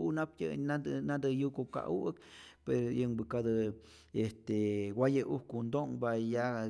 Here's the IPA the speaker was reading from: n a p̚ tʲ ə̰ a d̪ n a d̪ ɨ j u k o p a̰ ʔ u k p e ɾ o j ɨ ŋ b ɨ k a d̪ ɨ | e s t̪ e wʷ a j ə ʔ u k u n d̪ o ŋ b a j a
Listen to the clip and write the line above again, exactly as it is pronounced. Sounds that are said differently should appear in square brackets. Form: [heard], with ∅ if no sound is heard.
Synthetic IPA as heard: n a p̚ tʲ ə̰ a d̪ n a d̪ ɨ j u k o [k] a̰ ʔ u k p e ɾ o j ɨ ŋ b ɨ k a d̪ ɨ | e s t̪ e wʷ a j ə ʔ u k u n d̪ o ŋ b a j a